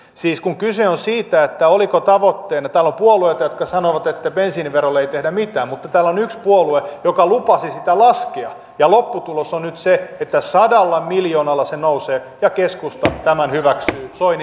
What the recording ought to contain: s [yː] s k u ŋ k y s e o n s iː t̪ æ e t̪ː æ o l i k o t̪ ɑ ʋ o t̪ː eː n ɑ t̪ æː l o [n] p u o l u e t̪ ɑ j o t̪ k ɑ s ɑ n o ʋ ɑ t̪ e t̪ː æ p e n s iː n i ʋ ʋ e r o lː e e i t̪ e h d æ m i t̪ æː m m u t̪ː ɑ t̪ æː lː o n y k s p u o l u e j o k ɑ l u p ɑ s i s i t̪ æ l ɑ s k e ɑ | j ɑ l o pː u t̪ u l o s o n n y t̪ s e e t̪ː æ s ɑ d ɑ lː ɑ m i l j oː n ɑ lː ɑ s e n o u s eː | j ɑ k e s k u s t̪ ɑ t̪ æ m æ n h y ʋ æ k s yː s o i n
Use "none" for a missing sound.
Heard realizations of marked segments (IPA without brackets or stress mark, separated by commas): iː, m